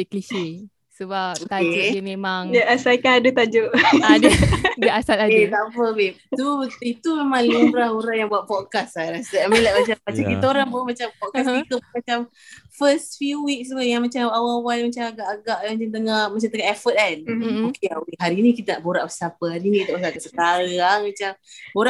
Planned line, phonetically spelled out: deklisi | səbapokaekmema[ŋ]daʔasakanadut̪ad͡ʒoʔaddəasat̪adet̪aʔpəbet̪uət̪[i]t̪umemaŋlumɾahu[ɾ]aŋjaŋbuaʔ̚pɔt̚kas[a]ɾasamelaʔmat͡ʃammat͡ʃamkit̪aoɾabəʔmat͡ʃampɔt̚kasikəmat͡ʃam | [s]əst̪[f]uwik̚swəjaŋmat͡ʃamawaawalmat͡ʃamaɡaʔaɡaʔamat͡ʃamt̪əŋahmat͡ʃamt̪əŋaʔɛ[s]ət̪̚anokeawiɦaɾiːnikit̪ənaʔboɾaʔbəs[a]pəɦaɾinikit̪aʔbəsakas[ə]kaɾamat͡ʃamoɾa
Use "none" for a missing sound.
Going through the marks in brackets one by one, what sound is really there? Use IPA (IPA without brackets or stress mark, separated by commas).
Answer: ŋ, i, ɾ, a, f, f, f, a, ə